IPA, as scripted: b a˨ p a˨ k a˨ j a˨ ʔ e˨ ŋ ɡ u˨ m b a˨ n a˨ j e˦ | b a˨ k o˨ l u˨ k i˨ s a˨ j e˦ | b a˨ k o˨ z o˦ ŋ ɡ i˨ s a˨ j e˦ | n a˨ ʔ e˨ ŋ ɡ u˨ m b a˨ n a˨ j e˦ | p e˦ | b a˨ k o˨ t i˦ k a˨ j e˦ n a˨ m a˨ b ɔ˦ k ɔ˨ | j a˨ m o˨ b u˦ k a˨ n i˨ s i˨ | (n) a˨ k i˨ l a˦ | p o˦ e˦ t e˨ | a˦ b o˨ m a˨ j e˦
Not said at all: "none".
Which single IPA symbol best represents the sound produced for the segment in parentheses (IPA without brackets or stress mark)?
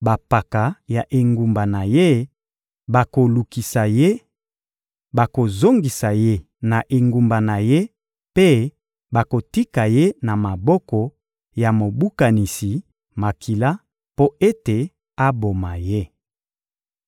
m